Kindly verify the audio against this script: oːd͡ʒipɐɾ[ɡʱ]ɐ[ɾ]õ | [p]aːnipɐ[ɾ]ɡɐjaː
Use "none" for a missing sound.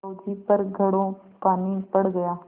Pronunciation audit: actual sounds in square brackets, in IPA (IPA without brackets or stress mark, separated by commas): ɡʱ, ɽ, p, ɽ